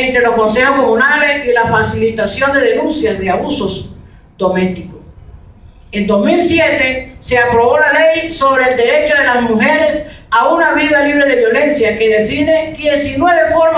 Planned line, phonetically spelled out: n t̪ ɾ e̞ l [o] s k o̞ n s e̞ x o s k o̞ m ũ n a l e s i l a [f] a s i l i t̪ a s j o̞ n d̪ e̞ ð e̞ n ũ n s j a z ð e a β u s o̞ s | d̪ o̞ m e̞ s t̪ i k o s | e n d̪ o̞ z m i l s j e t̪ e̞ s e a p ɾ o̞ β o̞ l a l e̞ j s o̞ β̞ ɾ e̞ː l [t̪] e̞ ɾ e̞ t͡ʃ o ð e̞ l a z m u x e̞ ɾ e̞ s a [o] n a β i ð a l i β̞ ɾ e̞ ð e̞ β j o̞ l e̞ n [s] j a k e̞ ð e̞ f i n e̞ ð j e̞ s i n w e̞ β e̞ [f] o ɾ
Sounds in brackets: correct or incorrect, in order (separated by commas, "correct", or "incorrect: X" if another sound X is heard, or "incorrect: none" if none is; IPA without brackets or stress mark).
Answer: correct, correct, incorrect: d̪, incorrect: u, correct, correct